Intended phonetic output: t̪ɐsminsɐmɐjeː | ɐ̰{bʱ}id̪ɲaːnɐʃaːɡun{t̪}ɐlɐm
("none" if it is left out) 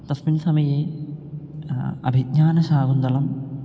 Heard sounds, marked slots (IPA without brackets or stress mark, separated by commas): bʱ, d̪